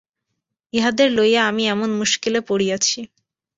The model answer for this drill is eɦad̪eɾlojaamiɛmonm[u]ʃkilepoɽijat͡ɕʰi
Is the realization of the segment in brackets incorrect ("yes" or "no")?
no